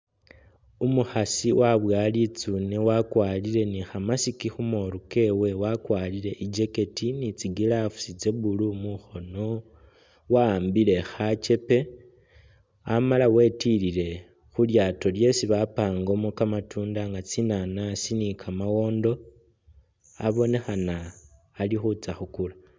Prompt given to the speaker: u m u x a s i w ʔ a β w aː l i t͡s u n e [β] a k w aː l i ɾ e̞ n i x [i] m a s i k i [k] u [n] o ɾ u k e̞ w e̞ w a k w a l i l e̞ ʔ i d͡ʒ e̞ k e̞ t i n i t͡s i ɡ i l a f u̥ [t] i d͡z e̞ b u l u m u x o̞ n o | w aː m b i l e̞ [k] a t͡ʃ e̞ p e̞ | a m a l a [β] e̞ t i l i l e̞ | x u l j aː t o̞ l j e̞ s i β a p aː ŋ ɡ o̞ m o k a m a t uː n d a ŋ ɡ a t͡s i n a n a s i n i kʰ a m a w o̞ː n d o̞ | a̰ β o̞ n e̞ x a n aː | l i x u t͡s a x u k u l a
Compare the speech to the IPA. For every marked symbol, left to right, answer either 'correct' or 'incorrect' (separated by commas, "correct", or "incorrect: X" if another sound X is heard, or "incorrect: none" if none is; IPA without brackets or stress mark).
incorrect: w, incorrect: a, incorrect: x, incorrect: m, incorrect: s, incorrect: x, incorrect: w